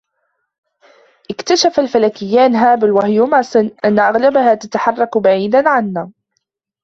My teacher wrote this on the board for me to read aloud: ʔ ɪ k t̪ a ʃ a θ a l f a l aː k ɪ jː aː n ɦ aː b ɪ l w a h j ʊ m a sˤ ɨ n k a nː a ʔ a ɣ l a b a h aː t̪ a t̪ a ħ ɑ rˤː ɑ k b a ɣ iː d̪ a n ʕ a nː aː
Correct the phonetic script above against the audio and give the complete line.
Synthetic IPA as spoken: ʔ ɪ k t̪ a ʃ a f a l f a l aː k ɪ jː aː n ɦ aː b ɪ l w a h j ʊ m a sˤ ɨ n ʔ a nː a ʔ a ɣ l a b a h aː t̪ a t̪ a ħ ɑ rˤː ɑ k b a ʕ iː d̪ a n ʕ a nː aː